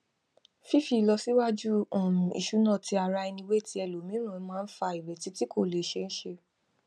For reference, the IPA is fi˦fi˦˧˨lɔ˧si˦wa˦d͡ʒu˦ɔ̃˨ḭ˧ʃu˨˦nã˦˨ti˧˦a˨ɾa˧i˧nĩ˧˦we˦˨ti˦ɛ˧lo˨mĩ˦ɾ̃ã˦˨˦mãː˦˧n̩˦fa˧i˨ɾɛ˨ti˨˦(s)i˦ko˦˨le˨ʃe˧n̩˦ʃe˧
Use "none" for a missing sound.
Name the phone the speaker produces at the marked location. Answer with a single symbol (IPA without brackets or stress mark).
t